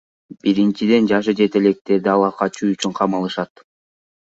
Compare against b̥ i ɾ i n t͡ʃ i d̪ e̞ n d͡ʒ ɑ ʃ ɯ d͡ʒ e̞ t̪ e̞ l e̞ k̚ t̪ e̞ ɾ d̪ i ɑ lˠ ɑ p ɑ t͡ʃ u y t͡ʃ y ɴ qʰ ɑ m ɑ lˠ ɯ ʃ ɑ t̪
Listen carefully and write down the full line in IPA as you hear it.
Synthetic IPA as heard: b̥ i ɾ i n t͡ʃ i d̪ e̞ n d͡ʒ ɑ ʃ ɯ d͡ʒ e̞ t̪ e̞ l e̞ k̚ t̪ e̞ ɾ d̪ i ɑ lˠ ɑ q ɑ t͡ʃ u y t͡ʃ y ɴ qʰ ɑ m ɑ lˠ ɯ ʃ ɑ t̪